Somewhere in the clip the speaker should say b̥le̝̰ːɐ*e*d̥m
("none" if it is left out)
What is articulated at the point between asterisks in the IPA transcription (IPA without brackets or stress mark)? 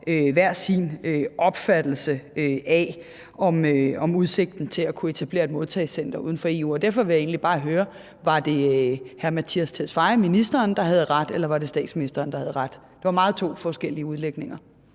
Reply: e